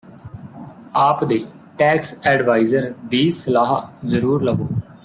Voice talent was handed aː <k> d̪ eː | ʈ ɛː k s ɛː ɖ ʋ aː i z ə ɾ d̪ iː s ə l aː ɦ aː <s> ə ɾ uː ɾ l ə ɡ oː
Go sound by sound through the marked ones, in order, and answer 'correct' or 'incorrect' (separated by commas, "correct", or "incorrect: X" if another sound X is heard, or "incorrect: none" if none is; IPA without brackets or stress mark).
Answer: incorrect: p, incorrect: z